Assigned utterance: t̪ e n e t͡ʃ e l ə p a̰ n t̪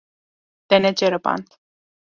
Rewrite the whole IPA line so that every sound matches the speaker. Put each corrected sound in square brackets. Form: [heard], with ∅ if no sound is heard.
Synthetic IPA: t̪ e n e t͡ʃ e [ɾ] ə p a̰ n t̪

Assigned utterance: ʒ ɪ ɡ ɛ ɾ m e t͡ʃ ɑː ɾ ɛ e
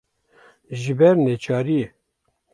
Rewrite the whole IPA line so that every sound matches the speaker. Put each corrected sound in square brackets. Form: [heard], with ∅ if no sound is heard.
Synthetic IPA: ʒ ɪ [b] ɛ ɾ [n] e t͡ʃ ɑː ɾ [i] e

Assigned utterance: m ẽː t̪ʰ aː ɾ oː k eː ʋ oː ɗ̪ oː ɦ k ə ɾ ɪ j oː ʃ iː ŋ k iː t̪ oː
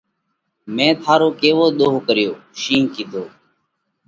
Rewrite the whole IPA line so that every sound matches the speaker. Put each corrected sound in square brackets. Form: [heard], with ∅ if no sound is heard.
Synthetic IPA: m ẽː t̪ʰ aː ɾ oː k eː ʋ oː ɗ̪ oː ɦ k ə ɾ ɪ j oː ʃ iː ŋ k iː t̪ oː

